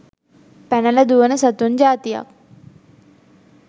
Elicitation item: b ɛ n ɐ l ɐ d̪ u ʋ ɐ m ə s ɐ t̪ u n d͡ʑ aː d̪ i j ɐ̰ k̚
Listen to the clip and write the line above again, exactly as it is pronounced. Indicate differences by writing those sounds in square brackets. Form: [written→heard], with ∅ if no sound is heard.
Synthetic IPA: [b→p] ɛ n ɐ l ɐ d̪ u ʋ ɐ [m→n] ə s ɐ t̪ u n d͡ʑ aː [d̪→t̪] i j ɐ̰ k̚